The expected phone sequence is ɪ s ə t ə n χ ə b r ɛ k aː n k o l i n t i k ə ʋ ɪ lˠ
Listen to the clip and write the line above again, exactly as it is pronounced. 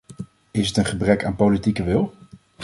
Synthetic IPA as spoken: ɪ s ə t ə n χ ə b r ɛ k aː n p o l i t i k ə ʋ ɪ lˠ